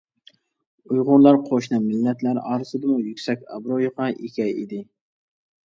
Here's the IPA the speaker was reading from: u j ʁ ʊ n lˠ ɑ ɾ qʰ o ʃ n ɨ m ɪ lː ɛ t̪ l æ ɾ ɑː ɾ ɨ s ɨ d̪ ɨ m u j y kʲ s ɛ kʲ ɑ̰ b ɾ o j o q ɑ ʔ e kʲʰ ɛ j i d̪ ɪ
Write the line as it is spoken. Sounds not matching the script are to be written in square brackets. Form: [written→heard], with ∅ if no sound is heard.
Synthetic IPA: u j ʁ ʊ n lˠ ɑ ɾ qʰ o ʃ n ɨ m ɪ lː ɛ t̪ l æ ɾ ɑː ɾ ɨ s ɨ d̪ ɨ m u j y kʲ s ɛ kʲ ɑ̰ b ɾ o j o q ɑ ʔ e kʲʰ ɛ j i d̪ ɪ